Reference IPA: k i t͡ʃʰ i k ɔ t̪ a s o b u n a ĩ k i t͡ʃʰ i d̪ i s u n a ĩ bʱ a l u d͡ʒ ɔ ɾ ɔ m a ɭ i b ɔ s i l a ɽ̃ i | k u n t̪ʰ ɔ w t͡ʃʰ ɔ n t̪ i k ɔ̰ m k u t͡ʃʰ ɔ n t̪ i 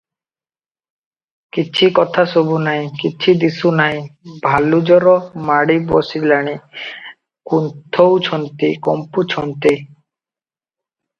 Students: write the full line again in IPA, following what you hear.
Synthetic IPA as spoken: k i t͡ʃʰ i k ɔ t̪ʰ a s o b u n a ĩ k i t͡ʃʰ i d̪ i s u n a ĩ bʱ a l u d͡ʒ ɔ ɾ ɔ m a ɽ i b ɔ s i l a ɽ̃ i | k u n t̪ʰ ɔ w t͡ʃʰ ɔ n t̪ i k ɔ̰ m p u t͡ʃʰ ɔ n t̪ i